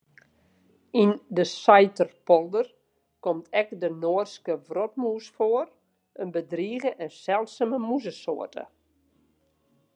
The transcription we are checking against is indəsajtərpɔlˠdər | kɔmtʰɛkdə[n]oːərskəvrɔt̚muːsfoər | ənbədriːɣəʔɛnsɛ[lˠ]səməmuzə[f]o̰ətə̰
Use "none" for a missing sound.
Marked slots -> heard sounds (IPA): n, lˠ, s

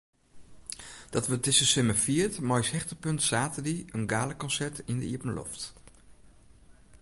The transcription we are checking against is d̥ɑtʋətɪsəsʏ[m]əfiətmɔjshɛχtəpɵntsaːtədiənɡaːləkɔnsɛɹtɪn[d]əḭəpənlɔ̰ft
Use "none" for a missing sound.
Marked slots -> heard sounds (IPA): m, d

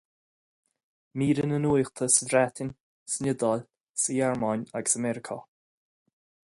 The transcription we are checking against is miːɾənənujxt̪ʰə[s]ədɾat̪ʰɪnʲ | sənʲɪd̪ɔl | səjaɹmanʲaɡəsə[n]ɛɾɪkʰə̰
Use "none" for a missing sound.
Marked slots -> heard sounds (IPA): s, m

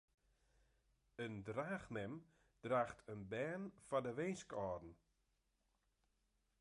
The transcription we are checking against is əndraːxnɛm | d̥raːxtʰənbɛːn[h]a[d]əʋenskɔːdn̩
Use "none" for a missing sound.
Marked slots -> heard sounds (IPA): f, d

